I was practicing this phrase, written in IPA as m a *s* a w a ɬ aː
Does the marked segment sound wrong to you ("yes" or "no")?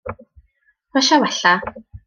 yes